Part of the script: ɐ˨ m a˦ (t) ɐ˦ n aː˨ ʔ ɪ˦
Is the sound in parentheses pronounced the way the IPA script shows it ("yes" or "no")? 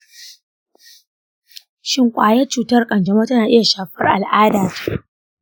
yes